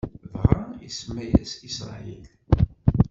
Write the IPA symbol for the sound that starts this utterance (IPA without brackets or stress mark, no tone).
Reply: v